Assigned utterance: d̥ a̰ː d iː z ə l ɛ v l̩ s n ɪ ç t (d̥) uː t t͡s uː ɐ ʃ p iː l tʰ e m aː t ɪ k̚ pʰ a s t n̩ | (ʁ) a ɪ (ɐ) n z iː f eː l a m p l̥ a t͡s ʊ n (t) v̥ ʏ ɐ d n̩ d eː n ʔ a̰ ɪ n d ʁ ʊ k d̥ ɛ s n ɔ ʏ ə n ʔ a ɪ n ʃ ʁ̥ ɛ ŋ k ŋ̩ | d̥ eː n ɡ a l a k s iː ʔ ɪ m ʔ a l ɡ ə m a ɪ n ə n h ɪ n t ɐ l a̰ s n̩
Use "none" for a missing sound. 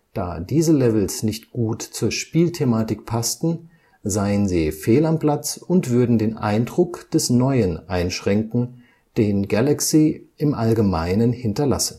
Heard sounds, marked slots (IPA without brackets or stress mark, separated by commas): ɡ̥, z, ə, t